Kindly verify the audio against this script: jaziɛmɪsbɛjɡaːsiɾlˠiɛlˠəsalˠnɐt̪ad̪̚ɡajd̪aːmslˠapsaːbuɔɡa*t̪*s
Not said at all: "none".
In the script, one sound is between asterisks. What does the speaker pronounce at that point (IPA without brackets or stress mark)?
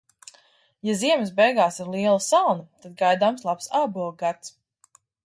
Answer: t̪